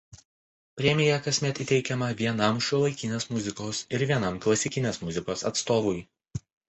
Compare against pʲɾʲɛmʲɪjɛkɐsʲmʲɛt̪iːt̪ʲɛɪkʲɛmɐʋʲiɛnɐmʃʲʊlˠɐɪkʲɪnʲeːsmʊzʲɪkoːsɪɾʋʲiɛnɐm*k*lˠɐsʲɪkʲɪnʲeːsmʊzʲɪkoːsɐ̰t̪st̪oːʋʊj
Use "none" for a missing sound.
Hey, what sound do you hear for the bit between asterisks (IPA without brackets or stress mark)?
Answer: k